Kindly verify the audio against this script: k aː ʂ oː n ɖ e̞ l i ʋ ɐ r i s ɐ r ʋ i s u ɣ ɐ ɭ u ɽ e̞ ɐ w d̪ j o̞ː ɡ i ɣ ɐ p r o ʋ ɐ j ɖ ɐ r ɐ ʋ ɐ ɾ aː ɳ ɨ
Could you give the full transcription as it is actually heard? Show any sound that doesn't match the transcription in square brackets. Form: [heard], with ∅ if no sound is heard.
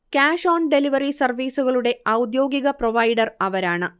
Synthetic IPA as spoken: k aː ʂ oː n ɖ e̞ l i ʋ ɐ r i s ɐ r ʋ [iː] s u ɣ ɐ ɭ u ɽ e̞ ɐ w d̪ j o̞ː ɡ i ɣ ɐ p r o ʋ ɐ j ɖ ɐ r ɐ ʋ ɐ ɾ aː ɳ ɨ

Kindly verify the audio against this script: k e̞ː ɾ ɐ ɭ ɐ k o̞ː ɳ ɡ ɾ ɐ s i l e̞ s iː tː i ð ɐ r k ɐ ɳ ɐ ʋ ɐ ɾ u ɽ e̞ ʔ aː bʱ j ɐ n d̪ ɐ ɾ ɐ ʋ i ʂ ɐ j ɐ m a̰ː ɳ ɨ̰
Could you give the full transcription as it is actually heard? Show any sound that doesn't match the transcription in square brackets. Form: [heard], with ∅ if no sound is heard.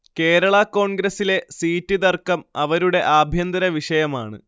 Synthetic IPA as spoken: k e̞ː ɾ ɐ ɭ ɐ k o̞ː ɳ ɡ ɾ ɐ s i l e̞ s iː tː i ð ɐ r k ɐ [m] ɐ ʋ ɐ ɾ u ɽ e̞ ʔ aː bʱ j ɐ n d̪ ɐ ɾ ɐ ʋ i ʂ ɐ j ɐ m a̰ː ɳ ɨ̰

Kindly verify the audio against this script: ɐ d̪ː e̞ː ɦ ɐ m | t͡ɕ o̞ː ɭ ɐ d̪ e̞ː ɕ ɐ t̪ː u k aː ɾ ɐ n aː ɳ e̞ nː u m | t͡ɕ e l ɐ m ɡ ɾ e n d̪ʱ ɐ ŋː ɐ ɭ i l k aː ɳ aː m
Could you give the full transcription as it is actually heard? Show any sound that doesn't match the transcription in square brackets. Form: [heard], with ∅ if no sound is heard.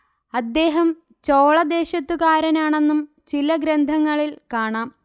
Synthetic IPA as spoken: ɐ d̪ː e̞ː ɦ ɐ m | t͡ɕ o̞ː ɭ ɐ d̪ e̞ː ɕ ɐ t̪ː u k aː ɾ ɐ n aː ɳ e̞ nː u m | t͡ɕ [i] l ɐ [∅] ɡ ɾ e n d̪ʱ ɐ ŋː ɐ ɭ i l k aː ɳ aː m

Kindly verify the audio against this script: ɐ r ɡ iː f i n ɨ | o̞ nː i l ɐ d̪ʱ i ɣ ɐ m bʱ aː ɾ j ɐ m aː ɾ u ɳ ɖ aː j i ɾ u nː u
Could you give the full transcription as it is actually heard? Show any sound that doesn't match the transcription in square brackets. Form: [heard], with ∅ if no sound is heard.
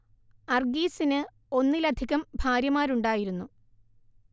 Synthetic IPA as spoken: ɐ r ɡ iː [s] i n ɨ | o̞ nː i l ɐ d̪ʱ i ɣ ɐ m bʱ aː ɾ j ɐ m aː ɾ u ɳ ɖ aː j i ɾ u nː u

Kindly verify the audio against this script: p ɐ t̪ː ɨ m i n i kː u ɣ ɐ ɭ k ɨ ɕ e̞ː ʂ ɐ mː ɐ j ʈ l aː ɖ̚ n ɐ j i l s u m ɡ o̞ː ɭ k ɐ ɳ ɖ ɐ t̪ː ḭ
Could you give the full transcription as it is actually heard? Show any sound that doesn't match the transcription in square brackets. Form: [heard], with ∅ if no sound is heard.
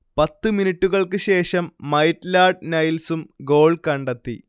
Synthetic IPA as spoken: p ɐ t̪ː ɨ m i n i [ʈː] u ɣ ɐ ɭ k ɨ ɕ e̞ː ʂ ɐ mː ɐ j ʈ l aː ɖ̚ n ɐ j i l s u m ɡ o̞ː ɭ k ɐ ɳ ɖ ɐ t̪ː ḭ

